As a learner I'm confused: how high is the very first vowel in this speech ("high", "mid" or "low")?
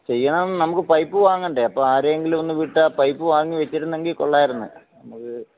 mid